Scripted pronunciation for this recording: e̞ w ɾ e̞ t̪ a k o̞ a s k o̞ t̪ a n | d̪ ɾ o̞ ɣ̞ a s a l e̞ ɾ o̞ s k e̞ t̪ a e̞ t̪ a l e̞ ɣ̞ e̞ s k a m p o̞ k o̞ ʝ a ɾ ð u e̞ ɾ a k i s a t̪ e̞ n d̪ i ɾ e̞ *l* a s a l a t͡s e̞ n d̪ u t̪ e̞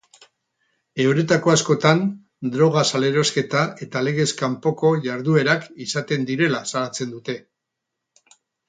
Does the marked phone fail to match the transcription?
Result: no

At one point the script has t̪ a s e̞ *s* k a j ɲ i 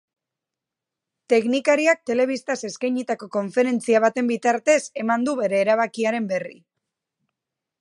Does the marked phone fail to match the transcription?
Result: no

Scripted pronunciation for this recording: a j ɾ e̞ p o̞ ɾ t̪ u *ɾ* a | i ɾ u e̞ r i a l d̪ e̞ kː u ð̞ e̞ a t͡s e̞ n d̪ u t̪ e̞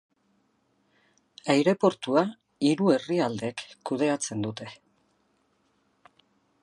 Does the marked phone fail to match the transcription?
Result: yes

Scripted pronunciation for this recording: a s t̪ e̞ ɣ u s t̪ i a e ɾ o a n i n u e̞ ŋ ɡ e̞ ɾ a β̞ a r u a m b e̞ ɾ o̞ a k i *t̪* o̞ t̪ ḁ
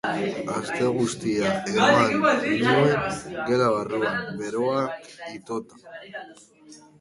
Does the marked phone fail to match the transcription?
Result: no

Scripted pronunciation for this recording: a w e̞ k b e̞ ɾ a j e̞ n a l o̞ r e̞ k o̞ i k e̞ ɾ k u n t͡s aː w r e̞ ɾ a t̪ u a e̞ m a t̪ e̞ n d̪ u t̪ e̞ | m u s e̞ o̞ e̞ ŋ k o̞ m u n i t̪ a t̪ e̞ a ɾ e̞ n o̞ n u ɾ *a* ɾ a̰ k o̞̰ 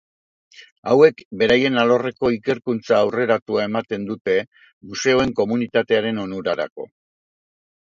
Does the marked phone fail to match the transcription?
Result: no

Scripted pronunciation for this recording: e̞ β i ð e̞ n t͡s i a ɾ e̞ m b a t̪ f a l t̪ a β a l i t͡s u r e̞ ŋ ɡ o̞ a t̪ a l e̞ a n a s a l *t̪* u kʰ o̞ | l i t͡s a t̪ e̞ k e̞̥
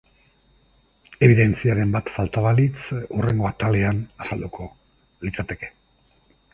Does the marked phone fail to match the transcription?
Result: yes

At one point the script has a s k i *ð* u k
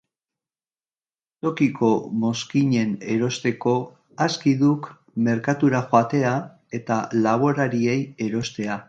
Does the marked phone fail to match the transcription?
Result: no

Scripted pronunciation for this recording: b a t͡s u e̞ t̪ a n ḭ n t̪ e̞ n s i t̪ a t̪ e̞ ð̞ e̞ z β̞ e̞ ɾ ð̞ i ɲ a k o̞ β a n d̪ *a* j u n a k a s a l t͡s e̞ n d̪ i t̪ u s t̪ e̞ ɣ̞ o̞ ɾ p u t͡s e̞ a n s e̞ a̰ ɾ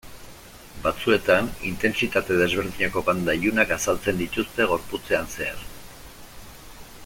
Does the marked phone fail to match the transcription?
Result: no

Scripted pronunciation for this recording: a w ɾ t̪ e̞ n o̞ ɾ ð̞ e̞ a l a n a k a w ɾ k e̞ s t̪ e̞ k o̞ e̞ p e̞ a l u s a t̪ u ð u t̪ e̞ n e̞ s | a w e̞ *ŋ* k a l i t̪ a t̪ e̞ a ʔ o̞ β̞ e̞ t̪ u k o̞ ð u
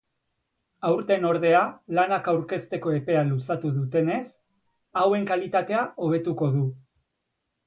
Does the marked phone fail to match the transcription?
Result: no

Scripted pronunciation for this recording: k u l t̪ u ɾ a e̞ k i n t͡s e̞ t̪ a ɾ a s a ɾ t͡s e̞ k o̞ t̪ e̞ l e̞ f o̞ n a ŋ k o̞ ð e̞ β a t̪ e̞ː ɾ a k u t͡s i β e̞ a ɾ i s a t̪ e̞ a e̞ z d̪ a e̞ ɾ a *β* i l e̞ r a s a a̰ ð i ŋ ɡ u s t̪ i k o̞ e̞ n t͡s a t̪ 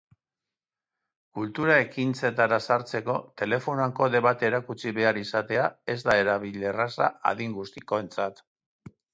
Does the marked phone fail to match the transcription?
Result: no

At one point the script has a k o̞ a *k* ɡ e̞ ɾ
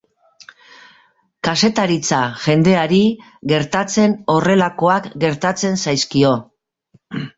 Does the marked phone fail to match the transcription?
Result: no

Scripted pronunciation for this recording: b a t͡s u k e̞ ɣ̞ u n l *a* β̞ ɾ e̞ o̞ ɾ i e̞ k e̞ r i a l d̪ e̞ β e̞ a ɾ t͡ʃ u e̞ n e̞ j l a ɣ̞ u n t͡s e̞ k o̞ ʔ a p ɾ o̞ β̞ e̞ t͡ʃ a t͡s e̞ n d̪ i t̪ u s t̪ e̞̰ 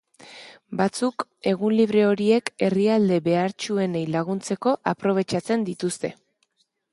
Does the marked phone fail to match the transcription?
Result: yes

